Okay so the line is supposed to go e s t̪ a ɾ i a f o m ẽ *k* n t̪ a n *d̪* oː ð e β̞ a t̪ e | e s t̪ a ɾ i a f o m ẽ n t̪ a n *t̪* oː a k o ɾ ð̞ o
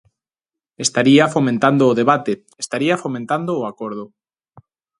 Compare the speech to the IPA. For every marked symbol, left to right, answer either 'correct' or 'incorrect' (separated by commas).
incorrect, correct, incorrect